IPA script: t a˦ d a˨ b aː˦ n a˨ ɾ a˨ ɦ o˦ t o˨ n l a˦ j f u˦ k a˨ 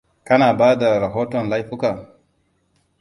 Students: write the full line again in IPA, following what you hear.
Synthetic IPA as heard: k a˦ n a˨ b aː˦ d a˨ ɾ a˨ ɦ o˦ t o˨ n l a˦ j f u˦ k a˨